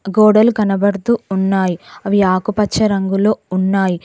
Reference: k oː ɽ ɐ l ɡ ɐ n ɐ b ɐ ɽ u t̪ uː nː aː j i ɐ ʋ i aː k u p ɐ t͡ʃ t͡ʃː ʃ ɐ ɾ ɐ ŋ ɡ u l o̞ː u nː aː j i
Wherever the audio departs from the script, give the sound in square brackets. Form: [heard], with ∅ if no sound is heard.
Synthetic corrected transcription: [ɡ] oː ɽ ɐ l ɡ ɐ n ɐ b ɐ ɽ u t̪ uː nː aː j i ɐ ʋ i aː k u p ɐ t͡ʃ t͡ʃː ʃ ɐ ɾ ɐ ŋ ɡ u l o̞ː u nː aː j i